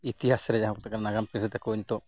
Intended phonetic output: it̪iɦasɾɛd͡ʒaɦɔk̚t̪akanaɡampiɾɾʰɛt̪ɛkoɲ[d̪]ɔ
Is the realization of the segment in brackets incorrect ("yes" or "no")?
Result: yes